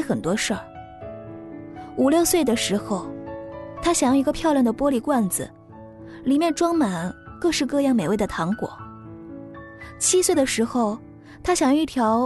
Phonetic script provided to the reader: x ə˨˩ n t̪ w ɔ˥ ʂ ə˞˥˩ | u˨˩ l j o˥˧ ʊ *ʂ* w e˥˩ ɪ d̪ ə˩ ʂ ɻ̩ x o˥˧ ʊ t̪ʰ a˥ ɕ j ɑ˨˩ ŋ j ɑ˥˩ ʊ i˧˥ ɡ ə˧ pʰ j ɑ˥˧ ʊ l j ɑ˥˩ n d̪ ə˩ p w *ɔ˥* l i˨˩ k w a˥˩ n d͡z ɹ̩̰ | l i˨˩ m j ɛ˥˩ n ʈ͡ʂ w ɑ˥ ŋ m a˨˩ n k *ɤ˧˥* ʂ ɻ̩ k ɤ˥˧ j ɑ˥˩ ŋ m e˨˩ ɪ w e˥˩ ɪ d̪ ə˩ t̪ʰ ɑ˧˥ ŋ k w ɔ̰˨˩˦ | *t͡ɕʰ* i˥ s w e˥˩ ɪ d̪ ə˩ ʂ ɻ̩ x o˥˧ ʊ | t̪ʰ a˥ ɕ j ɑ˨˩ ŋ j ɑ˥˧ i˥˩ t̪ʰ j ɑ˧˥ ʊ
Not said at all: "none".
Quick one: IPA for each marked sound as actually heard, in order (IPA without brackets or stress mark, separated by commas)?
s, ɔ˥, ɤ˥˧, t͡ɕʰ